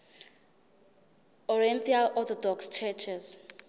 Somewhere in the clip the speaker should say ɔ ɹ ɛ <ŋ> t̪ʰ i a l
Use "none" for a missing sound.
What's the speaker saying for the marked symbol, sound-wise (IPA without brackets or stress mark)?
n